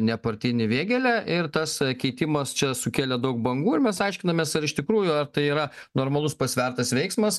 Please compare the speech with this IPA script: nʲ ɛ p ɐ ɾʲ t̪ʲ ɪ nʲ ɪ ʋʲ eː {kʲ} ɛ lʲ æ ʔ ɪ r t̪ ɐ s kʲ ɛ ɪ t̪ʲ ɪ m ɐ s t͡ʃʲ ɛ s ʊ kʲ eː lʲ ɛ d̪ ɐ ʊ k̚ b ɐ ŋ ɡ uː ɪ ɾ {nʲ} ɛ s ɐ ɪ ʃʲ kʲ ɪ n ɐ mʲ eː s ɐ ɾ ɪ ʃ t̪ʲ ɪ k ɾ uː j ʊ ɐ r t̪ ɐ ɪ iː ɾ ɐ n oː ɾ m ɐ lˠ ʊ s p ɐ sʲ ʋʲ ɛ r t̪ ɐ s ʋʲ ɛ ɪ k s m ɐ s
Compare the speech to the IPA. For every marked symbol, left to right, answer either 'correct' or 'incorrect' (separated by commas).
incorrect, incorrect